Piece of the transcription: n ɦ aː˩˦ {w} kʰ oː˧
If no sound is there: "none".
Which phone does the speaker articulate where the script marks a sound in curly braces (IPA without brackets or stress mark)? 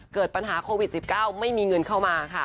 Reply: none